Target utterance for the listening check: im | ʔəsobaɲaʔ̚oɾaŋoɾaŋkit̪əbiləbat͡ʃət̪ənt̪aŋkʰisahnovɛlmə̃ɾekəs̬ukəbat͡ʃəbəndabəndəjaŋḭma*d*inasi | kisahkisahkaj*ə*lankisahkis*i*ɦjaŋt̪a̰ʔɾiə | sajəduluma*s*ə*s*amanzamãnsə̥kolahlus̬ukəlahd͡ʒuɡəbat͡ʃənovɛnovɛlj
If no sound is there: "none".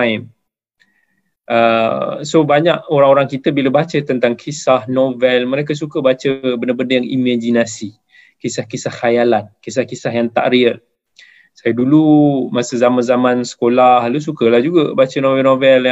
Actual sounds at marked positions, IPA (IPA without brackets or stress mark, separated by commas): d͡ʒ, a, a, s, z